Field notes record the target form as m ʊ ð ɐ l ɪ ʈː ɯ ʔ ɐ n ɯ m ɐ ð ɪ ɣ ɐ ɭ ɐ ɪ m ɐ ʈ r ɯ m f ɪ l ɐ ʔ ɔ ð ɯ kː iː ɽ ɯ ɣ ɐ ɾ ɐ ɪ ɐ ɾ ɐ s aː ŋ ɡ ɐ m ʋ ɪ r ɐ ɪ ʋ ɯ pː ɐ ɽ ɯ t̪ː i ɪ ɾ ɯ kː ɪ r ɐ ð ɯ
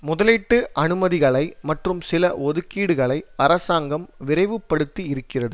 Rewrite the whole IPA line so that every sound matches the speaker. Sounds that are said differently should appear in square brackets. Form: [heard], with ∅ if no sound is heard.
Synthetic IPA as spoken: m ʊ ð ɐ l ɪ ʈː ɯ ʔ ɐ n ɯ m ɐ ð ɪ ɣ ɐ ɭ ɐ ɪ m ɐ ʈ r ɯ m [s] ɪ l ɐ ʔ ɔ ð ɯ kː iː ɽ ɯ ɣ ɐ [ɭ] ɐ ɪ ɐ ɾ ɐ s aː ŋ ɡ ɐ m ʋ ɪ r ɐ ɪ ʋ ɯ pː ɐ ɽ ɯ t̪ː i ɪ ɾ ɯ kː ɪ r ɐ ð ɯ